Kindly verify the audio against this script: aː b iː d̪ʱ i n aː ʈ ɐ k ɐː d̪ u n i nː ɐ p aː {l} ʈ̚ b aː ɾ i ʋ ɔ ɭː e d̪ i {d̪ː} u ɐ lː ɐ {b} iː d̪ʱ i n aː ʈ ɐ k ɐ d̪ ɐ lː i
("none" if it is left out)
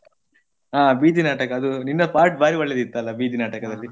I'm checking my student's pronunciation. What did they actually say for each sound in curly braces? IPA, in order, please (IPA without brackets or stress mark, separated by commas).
ɾ, t̪ː, b